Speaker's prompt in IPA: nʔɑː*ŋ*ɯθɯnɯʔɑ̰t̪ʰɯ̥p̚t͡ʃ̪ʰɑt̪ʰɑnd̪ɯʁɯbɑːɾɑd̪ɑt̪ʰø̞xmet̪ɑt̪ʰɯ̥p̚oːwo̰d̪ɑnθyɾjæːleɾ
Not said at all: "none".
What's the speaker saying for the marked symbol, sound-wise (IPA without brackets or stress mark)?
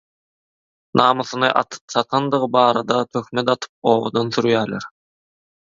m